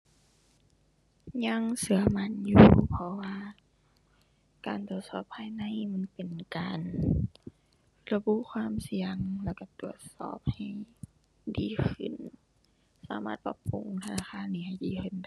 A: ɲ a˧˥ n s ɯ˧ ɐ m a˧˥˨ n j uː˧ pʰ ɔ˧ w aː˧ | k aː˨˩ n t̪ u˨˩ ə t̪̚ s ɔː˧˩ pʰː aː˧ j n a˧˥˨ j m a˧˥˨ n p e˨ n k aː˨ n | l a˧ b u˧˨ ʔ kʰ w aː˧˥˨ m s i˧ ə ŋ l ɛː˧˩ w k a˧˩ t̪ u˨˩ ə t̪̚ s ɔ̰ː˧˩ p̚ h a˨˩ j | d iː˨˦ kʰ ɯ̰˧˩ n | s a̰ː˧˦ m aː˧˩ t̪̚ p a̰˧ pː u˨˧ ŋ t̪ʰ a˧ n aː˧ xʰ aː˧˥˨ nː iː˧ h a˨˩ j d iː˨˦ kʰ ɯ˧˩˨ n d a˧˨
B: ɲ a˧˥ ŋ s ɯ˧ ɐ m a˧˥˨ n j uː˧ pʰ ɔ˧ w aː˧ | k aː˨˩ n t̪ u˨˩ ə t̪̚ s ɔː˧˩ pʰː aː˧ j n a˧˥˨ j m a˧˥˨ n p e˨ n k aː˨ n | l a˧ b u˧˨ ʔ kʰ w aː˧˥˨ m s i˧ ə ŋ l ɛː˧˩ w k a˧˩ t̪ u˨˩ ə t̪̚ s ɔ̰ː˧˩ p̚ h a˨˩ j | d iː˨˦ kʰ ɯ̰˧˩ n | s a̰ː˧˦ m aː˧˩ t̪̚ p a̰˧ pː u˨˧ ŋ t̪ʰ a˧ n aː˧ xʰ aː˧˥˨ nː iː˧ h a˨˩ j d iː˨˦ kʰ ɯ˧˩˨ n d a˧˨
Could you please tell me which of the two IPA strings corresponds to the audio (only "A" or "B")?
B